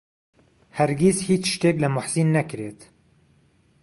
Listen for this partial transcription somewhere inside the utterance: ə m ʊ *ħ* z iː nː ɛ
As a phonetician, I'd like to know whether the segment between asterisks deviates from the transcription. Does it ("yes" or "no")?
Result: no